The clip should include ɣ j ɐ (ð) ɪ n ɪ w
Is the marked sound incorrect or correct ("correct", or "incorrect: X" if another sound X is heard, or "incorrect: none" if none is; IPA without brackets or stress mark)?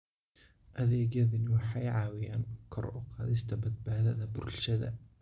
correct